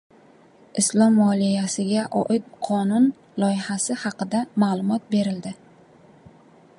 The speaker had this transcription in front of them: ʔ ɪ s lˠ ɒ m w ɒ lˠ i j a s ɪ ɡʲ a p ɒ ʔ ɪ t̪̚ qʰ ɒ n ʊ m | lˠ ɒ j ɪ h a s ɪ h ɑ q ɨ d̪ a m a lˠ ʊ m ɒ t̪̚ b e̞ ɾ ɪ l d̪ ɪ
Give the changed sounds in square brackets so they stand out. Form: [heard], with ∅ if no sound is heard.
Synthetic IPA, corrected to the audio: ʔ ɪ s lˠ ɒ m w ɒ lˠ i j a s ɪ ɡʲ a [ʔ] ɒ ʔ ɪ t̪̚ qʰ ɒ n ʊ [n] | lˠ ɒ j ɪ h a s ɪ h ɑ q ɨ d̪ a m a lˠ ʊ m ɒ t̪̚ b e̞ ɾ ɪ l d̪ ɪ